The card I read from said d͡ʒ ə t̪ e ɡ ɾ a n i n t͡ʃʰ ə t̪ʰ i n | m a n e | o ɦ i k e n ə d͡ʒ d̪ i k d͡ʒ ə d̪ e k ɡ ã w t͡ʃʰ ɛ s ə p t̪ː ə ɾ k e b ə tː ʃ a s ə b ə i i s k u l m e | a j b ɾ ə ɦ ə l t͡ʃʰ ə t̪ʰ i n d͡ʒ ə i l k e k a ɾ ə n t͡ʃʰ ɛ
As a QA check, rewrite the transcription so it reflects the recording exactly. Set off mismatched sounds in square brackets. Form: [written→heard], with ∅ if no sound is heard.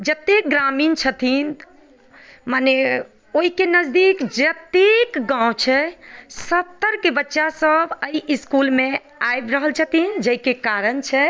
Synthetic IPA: d͡ʒ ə t̪ e ɡ ɾ a [n→m] i n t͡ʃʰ ə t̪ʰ i n | m a n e | o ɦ i k e n ə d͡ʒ d̪ i k d͡ʒ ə [d̪→t̪] e k ɡ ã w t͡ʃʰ ɛ s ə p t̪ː ə ɾ k e b ə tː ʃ a s ə b ə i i s k u l m e | a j b ɾ ə ɦ ə l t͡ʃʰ ə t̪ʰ i n d͡ʒ ə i [l→∅] k e k a ɾ ə n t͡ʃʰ ɛ